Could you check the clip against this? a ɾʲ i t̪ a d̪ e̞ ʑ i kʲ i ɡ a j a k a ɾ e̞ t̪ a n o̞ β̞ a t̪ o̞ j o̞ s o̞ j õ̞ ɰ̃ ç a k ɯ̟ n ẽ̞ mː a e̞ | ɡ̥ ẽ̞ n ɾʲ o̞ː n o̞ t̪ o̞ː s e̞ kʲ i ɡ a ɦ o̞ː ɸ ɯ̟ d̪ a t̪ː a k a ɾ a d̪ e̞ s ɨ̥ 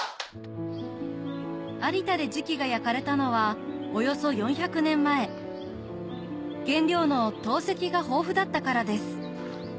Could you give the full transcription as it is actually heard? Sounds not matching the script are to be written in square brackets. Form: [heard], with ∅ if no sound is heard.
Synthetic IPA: a ɾʲ i t̪ a d̪ e̞ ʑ i kʲ i ɡ a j a k a ɾ e̞ t̪ a n o̞ β̞ a [∅] o̞ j o̞ s o̞ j õ̞ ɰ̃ ç a k ɯ̟ n ẽ̞ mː a e̞ | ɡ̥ ẽ̞ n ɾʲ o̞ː n o̞ t̪ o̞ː s e̞ kʲ i ɡ a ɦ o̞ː ɸ ɯ̟ d̪ a t̪ː a k a ɾ a d̪ e̞ s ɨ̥

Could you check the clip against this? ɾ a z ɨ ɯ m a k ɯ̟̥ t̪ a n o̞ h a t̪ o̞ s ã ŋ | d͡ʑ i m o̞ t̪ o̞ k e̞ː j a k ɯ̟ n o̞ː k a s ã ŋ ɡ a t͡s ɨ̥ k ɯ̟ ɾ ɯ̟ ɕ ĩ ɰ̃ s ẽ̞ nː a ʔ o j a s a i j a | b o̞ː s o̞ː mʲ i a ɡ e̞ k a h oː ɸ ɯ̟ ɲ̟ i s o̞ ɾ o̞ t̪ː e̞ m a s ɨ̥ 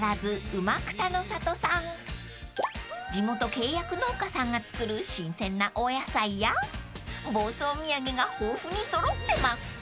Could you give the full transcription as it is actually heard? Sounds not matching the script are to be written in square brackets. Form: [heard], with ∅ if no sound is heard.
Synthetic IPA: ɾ a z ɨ ɯ m a k ɯ̟̥ t̪ a n o̞ [s] a t̪ o̞ s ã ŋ | d͡ʑ i m o̞ t̪ o̞ k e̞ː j a k ɯ̟ n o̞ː k a s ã ŋ ɡ a t͡s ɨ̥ k ɯ̟ ɾ ɯ̟ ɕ ĩ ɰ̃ s ẽ̞ nː a ʔ o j a s a i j a | b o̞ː s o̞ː mʲ i a ɡ e̞ [ɡ] a h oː ɸ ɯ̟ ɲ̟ i s o̞ ɾ o̞ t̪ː e̞ m a s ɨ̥

